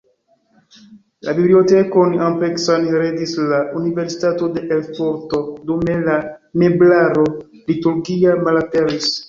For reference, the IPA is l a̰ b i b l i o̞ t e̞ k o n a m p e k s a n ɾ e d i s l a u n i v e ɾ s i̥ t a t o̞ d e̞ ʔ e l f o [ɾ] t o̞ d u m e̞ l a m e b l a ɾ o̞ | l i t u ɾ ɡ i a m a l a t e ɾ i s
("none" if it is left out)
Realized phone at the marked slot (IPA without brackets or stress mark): ɾ